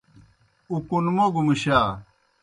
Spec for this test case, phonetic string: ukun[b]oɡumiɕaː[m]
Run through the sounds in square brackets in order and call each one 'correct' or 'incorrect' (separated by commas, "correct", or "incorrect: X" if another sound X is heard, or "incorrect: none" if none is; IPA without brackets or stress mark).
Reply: incorrect: m, incorrect: none